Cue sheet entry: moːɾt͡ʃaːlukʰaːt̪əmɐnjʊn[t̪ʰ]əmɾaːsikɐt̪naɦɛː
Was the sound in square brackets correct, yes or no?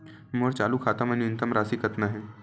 no